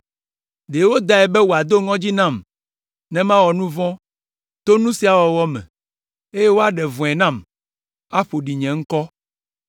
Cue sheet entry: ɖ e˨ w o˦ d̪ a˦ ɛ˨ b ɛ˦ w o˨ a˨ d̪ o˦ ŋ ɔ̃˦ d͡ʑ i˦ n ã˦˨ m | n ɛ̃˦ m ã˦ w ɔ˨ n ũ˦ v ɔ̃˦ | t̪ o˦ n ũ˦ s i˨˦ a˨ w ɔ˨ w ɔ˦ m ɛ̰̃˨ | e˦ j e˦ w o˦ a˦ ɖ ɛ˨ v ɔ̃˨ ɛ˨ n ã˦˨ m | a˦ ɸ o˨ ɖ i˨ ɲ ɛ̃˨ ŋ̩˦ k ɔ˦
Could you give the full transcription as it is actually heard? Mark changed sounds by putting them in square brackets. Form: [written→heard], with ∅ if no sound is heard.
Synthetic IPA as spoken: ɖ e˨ w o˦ d̪ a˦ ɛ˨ b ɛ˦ w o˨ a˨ d̪ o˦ ŋ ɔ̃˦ d͡ʑ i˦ n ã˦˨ m | n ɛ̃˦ m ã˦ w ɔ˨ n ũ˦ v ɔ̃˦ | t̪ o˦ n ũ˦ s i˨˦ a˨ w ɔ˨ w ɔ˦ m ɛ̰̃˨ | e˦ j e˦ w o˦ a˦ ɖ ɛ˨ v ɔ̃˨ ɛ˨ n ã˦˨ m | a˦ ɸ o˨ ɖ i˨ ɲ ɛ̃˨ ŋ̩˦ k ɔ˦